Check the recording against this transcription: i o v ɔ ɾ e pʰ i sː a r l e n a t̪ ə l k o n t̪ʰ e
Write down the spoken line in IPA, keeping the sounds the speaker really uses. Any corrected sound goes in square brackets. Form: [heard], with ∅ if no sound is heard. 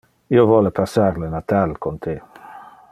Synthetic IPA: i o v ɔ [l] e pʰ [a] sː a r l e n a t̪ [a] l k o n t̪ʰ e